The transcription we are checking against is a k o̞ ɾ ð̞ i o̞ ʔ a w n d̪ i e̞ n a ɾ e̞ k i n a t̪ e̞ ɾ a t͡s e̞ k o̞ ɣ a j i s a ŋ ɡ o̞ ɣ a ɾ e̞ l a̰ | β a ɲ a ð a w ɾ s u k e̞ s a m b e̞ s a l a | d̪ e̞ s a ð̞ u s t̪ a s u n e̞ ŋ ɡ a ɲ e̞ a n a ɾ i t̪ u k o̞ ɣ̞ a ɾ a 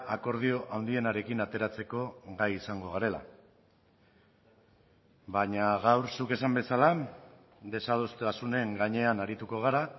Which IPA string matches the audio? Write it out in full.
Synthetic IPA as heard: a k o̞ ɾ ð̞ i o̞ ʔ a w n d̪ i e̞ n a ɾ e̞ k i n a t̪ e̞ ɾ a t͡s e̞ k o̞ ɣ a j i s a ŋ ɡ o̞ ɣ a ɾ e̞ l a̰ | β a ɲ a ɣ a w ɾ s u k e̞ s a m b e̞ s a l a | d̪ e̞ s a ð̞ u s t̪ a s u n e̞ ŋ ɡ a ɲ e̞ a n a ɾ i t̪ u k o̞ ɣ̞ a ɾ a